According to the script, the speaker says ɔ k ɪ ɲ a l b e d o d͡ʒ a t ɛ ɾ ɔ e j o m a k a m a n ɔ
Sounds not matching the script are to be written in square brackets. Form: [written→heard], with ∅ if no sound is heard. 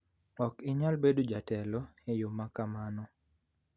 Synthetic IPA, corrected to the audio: ɔ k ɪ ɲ a l b e d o d͡ʒ a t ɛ [ɾ→l] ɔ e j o m a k a m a n ɔ